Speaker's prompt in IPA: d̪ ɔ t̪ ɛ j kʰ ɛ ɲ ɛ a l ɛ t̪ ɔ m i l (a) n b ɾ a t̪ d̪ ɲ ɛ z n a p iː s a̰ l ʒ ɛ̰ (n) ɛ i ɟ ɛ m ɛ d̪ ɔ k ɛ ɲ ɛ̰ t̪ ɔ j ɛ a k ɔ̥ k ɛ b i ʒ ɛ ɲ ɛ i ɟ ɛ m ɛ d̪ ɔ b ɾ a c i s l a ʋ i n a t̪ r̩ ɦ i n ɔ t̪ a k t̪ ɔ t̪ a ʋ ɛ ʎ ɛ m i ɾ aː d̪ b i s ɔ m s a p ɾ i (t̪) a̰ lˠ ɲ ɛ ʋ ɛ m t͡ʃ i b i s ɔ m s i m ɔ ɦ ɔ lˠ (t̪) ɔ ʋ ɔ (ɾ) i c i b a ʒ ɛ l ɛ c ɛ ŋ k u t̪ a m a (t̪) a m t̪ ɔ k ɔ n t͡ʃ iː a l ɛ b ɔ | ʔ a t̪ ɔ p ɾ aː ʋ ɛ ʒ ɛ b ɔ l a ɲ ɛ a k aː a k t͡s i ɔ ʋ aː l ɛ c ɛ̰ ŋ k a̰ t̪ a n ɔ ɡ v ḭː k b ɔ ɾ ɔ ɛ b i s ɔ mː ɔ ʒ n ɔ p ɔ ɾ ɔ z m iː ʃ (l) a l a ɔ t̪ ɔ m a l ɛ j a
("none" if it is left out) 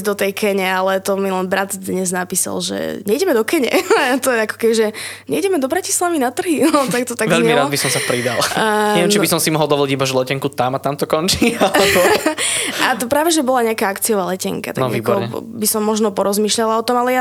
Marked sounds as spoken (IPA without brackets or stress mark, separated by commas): ɛ, ɲ, d̪, d̪, l, t̪, ʎ